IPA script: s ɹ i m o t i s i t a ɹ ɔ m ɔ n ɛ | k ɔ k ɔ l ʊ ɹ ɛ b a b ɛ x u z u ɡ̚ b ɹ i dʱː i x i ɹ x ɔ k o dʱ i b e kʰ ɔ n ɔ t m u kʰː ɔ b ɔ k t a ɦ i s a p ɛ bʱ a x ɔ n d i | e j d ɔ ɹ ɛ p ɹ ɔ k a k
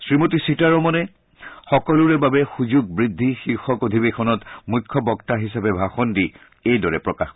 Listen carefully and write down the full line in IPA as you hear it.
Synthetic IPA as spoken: s ɹ i m o t i s i t a ɹ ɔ m ɔ n ɛ | x ɔ k ɔ l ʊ ɹ ɛ b a b ɛ x u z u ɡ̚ b ɹ i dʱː i x i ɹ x ɔ k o dʱ i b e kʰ ɔ n ɔ t m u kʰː ɔ b ɔ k t a ɦ i s a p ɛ bʱ a x ɔ n d i | e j d ɔ ɹ ɛ p ɹ ɔ k a x